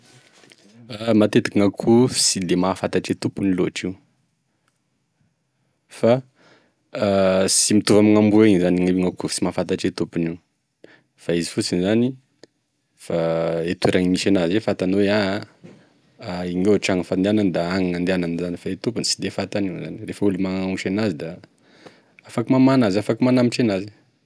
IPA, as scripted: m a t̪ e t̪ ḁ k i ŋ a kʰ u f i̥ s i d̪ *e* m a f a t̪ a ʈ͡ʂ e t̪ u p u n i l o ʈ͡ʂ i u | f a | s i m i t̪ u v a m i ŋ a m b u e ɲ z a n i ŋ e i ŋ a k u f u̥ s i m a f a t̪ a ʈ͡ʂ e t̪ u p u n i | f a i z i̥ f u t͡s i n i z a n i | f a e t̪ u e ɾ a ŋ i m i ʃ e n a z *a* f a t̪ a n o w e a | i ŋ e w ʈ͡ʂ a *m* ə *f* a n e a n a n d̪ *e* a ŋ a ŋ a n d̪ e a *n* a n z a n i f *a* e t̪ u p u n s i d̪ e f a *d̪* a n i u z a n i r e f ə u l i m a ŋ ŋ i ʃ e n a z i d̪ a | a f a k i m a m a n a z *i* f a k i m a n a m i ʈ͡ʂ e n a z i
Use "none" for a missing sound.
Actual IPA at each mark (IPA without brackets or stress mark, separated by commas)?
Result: e, e, ŋ, f, a, n, a, t̪, a